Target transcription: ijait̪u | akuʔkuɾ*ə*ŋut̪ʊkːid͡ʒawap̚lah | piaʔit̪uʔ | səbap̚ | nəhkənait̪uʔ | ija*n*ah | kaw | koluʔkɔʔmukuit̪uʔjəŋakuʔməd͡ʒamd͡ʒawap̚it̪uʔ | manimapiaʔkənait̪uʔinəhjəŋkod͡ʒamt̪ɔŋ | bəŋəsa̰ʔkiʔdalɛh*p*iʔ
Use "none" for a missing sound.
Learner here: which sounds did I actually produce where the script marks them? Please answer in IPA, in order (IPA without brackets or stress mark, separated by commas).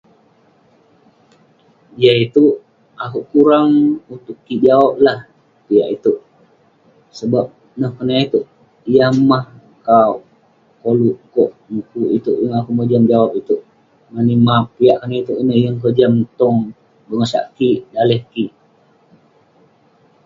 a, m, k